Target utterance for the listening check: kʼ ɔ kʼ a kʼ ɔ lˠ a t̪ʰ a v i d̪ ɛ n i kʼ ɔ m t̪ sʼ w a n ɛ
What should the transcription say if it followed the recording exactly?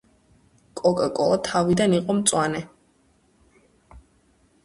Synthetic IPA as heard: kʼ ɔ kʼ a kʼ ɔ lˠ a t̪ʰ a v i d̪ a n i qʼ ɔ m t̪ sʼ w a n ɛ